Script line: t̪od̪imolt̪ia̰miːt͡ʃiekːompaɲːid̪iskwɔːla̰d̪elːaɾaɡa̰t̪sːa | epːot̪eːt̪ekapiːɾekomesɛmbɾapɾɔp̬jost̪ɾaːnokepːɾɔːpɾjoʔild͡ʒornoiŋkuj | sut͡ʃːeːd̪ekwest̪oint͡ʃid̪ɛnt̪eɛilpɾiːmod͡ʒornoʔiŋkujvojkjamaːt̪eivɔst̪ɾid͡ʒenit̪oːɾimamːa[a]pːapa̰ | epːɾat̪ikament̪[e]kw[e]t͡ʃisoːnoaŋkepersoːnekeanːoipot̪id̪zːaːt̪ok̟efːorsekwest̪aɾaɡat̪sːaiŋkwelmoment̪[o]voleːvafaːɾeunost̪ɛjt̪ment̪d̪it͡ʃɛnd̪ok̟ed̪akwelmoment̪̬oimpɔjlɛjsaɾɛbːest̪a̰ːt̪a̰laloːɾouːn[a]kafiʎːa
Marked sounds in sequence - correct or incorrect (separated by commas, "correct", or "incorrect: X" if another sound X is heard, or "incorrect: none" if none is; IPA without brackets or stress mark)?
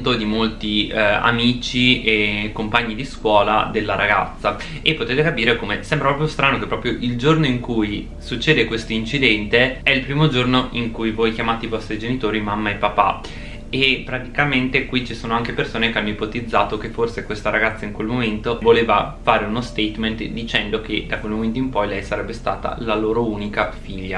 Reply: incorrect: e, correct, incorrect: i, correct, incorrect: i